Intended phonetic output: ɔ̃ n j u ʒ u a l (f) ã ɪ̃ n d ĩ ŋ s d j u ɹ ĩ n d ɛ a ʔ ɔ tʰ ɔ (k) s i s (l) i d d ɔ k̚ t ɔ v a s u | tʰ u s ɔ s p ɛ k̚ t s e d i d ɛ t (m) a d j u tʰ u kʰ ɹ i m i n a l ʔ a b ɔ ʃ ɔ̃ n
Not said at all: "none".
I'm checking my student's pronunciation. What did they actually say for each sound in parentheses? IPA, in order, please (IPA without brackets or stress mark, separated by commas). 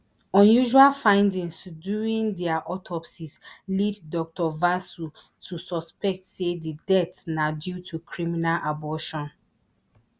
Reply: f, p, l, n